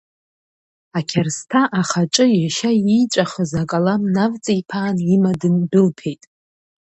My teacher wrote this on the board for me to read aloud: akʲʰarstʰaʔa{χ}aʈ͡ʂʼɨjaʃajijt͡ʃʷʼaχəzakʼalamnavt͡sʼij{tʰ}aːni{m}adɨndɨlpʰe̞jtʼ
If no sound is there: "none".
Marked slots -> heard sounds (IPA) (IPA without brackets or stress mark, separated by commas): χ, pʰ, m